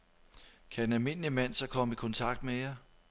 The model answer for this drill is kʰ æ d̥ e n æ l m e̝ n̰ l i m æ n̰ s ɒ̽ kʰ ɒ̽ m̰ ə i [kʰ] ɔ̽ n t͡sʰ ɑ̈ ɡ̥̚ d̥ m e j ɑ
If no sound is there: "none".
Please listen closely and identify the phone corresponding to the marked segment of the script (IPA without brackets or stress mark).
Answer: kʰ